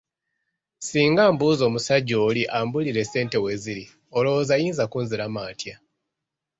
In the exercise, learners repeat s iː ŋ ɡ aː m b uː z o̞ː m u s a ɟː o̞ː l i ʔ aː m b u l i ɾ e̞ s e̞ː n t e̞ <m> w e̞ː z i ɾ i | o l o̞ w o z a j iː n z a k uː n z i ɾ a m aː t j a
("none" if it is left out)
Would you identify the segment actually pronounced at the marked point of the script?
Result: none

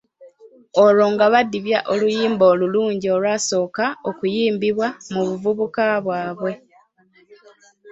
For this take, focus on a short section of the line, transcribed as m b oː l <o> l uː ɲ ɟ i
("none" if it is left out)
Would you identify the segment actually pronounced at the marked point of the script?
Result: u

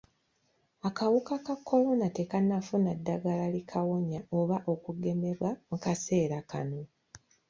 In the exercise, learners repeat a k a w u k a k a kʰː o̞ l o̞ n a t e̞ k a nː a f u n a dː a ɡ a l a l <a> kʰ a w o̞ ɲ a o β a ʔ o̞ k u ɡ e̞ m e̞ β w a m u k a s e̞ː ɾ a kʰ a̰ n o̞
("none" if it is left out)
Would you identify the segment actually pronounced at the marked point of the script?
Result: i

